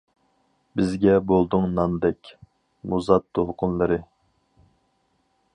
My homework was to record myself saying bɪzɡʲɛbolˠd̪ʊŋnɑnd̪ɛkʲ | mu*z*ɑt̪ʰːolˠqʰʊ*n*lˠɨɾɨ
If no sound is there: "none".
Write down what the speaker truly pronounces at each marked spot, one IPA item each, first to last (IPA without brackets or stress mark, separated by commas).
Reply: z, n